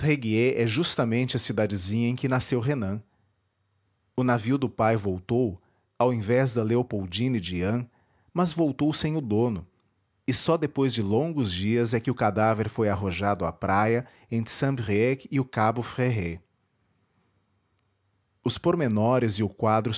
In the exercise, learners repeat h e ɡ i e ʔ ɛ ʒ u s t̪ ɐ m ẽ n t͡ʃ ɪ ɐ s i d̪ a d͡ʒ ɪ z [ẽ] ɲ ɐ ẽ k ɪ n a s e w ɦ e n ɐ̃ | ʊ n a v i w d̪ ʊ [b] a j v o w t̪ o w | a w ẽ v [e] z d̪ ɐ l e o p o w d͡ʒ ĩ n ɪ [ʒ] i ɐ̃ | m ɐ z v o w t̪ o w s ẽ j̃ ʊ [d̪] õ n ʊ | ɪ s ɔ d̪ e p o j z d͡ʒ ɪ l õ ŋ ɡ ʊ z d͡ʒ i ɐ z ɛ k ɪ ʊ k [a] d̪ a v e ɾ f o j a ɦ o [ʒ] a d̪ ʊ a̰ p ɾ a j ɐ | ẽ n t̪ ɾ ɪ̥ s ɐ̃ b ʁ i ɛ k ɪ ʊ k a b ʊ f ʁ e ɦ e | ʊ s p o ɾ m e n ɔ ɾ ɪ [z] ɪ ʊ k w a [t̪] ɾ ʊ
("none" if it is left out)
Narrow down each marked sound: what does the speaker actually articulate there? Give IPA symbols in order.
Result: ĩ, p, ɛ, d͡ʒ, d̪, a, ʒ, z, d̪

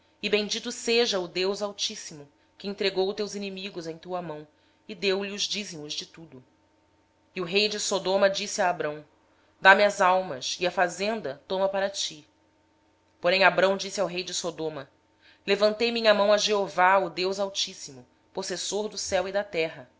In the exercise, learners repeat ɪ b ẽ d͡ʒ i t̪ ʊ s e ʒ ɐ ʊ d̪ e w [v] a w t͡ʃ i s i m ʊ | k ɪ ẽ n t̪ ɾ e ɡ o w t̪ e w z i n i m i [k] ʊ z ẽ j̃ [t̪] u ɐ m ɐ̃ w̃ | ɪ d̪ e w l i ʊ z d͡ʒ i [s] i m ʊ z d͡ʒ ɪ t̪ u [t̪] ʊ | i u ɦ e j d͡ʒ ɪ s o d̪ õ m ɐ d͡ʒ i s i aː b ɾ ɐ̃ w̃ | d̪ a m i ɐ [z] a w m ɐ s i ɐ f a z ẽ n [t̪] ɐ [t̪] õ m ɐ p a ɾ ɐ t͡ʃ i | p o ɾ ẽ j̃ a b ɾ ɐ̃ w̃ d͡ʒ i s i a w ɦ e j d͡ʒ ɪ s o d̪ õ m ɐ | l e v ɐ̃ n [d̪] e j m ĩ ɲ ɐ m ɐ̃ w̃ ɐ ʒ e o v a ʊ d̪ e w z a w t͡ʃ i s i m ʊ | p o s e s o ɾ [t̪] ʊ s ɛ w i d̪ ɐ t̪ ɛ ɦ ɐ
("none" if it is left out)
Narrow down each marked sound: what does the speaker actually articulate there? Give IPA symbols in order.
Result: z, ɡ, t̪, z, d̪, z, d̪, t̪, t̪, d̪

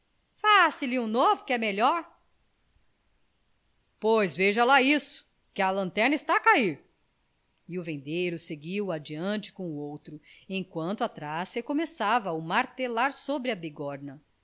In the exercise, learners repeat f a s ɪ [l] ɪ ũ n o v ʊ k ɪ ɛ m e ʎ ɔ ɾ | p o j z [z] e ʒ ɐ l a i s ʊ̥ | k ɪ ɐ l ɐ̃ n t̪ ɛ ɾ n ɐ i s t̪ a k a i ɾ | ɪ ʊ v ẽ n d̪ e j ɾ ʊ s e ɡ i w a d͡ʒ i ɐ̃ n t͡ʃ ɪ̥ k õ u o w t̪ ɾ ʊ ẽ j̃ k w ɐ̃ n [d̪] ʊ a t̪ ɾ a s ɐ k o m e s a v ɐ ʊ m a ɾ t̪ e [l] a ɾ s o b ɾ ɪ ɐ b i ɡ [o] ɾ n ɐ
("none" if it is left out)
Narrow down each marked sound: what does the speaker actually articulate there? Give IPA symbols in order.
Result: l, v, t̪, l, ɔ

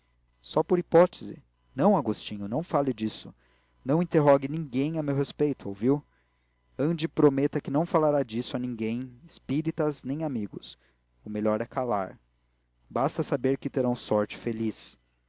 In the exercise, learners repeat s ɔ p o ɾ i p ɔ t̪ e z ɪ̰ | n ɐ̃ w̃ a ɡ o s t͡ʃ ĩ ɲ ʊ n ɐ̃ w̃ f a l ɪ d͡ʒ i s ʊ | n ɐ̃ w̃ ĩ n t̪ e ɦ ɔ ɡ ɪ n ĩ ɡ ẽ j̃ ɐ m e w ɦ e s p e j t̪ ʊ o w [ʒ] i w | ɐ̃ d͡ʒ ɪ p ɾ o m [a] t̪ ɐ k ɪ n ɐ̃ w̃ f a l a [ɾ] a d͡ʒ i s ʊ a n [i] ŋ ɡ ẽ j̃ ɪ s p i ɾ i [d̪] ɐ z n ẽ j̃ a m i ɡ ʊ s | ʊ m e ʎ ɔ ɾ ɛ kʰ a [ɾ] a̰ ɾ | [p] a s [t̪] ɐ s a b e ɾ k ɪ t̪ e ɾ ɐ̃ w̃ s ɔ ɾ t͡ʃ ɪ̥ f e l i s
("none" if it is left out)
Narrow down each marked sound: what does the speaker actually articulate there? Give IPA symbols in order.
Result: v, e, ɾ, ĩ, t̪, l, b, t̪

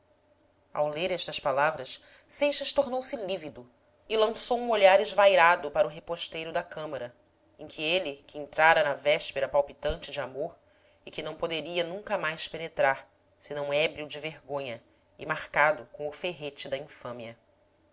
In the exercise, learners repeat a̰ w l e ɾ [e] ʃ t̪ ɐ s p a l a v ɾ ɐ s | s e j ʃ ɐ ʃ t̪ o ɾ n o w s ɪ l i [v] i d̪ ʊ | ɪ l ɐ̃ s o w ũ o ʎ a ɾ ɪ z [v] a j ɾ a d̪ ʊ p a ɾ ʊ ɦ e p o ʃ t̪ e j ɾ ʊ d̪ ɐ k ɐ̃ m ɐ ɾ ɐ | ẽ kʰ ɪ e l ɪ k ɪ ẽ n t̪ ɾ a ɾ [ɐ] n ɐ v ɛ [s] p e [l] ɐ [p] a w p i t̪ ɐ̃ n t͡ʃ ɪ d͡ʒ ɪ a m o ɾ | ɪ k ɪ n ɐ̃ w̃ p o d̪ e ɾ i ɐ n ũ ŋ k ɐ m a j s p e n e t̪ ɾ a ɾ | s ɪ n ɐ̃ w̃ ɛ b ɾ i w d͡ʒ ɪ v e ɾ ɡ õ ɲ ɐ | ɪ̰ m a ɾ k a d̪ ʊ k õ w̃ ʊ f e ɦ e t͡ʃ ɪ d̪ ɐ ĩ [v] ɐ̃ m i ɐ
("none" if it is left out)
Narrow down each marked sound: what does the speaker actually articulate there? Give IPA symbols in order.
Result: ɛ, v, v, ɐ, ʃ, ɾ, p, f

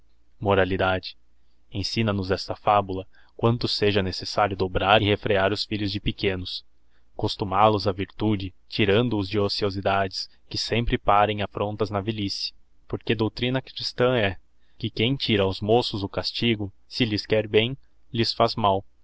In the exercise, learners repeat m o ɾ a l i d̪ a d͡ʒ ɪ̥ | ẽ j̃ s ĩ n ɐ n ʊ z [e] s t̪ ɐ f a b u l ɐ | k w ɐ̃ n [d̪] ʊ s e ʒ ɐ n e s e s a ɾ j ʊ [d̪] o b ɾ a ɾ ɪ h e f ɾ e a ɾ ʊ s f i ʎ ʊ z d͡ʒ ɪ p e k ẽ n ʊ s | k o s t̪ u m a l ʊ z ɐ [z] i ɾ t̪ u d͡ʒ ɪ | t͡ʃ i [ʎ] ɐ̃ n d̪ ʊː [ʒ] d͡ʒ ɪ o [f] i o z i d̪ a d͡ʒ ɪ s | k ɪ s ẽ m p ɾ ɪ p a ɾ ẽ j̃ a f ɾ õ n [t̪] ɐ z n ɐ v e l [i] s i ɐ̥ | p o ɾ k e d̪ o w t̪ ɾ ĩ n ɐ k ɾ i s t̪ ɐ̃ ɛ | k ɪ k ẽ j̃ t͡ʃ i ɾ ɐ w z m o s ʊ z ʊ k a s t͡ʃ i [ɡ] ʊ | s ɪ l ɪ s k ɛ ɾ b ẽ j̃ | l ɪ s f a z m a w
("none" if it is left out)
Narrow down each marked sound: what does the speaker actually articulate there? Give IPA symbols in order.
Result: ɛ, t̪, d̪, v, ɾ, z, s, t̪, i, ɡ

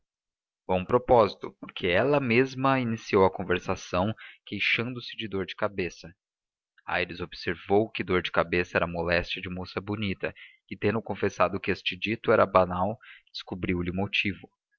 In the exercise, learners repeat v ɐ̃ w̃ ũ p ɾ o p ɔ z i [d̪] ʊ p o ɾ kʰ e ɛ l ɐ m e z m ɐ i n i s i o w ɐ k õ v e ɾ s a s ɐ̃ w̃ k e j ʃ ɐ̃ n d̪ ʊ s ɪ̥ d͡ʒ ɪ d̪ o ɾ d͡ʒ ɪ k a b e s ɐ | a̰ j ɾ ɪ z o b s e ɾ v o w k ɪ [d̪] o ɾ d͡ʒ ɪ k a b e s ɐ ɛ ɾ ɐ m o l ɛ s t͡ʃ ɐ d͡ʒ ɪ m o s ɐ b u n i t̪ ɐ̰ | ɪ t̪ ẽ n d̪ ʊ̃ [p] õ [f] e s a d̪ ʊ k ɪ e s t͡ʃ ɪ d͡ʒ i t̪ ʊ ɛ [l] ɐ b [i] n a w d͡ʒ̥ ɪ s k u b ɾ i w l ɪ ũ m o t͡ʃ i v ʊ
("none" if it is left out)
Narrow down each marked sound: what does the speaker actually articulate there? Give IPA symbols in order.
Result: t̪, d̪, k, f, ɾ, a

